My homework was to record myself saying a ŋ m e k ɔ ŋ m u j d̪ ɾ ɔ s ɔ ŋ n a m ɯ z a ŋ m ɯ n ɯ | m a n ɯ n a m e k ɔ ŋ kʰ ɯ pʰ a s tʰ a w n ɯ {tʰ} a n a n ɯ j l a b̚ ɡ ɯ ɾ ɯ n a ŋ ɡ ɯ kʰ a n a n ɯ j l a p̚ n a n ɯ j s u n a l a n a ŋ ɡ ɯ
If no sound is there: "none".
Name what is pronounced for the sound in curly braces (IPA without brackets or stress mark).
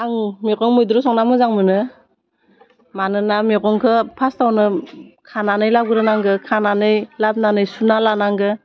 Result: kʰ